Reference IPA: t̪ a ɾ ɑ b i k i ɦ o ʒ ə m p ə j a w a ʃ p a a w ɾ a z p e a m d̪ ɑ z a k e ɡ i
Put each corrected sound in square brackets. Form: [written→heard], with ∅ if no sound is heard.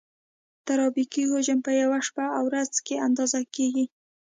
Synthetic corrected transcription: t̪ a ɾ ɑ b i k i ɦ o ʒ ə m p ə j a w a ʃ p a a w ɾ a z [p→k] e a [m→n] d̪ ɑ z a k e ɡ i